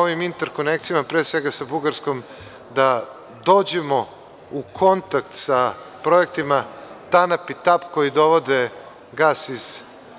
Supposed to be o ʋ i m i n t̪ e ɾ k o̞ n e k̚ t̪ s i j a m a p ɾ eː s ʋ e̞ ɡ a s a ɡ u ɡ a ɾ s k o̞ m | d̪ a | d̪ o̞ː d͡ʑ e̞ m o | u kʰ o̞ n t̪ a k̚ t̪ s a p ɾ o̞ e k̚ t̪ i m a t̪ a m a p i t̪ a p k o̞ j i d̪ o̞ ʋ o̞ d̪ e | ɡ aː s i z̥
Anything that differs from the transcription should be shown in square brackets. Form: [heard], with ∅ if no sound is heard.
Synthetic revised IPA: o ʋ i m i n t̪ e ɾ k o̞ n e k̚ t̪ s i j a m a p ɾ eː s ʋ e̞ ɡ a s a [b] u ɡ a ɾ s k o̞ m | d̪ a | d̪ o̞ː d͡ʑ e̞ m o | u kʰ o̞ n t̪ a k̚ t̪ s a p ɾ o̞ e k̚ t̪ i m a t̪ a [n] a p i t̪ a p k o̞ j i d̪ o̞ ʋ o̞ d̪ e | ɡ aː s i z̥